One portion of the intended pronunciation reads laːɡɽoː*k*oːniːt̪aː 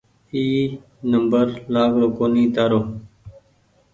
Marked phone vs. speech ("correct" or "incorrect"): correct